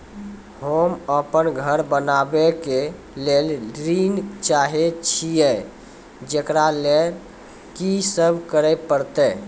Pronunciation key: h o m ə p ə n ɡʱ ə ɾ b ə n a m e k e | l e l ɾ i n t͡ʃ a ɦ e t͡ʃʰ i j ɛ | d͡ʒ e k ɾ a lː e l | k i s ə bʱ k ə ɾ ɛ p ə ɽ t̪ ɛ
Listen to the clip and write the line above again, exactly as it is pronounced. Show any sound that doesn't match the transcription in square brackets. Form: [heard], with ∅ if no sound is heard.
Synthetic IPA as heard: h o m ə p ə n ɡʱ ə ɾ b ə n a [b] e k e | l e l ɾ i n t͡ʃ a ɦ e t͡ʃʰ i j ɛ | d͡ʒ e k ɾ a [l] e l | k i s ə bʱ k ə ɾ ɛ p ə [ɾ] t̪ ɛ